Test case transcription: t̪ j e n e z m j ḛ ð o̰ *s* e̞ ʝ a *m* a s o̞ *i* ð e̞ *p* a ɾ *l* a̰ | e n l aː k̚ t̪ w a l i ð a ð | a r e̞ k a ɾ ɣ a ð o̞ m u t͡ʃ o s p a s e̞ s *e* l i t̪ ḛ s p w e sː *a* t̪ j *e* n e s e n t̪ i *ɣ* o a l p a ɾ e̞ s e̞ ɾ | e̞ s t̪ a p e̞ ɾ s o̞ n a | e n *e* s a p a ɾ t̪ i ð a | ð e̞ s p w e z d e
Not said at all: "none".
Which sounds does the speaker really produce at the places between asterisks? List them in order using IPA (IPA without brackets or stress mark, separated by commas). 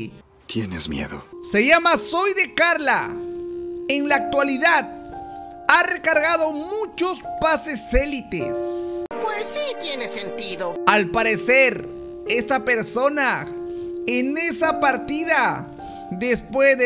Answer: s, m, j, k, l, e, i, e, ð, e